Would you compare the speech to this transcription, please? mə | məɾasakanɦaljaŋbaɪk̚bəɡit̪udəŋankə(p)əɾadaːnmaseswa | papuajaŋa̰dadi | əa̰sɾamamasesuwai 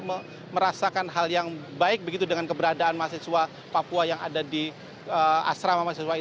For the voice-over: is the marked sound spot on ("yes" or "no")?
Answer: no